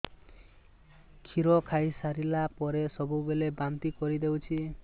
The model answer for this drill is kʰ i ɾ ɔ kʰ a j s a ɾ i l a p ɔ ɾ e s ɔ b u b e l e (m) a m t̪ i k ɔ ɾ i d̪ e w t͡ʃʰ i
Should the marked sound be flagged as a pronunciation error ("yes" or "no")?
yes